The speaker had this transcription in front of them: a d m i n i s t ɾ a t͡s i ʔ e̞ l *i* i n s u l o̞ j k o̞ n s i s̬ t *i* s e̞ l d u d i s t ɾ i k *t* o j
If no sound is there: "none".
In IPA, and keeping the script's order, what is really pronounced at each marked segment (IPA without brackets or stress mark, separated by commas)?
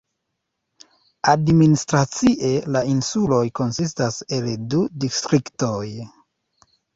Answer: a, a, t